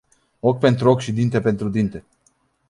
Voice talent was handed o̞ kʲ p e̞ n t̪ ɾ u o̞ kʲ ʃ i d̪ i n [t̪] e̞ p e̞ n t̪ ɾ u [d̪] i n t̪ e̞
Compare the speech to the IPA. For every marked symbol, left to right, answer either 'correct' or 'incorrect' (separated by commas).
correct, correct